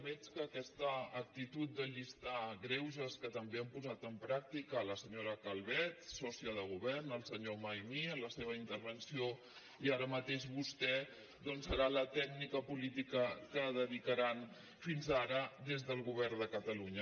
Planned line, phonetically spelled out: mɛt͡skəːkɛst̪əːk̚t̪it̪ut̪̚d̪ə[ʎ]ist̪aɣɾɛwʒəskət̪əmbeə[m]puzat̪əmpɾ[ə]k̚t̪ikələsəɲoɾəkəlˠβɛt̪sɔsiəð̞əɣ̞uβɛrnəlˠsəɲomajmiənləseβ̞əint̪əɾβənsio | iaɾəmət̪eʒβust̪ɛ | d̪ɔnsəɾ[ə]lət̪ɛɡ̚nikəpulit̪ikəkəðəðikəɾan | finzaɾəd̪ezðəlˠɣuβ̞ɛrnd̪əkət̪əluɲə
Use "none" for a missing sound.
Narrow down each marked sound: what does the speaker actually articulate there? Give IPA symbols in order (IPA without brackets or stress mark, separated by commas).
ʎ, m, a, a